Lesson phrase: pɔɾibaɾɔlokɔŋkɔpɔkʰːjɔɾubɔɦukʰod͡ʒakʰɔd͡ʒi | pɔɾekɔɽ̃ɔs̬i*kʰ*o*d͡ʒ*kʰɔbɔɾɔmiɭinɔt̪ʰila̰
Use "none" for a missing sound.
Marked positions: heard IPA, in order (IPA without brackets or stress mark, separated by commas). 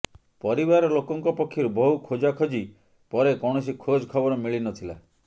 kʰ, d͡ʒ